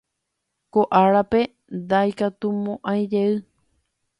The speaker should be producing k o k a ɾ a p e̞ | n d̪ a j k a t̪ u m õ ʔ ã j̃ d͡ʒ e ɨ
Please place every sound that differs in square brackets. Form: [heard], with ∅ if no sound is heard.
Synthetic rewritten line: k o [ʔ] a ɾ a p e̞ | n d̪ a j k a t̪ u m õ ʔ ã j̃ d͡ʒ e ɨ